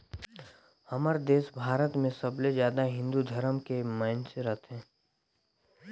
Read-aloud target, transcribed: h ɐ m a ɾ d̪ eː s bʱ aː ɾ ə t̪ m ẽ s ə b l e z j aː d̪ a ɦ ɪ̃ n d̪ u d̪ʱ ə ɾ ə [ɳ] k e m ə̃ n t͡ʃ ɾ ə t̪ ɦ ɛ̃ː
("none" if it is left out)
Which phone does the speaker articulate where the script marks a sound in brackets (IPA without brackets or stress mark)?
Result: m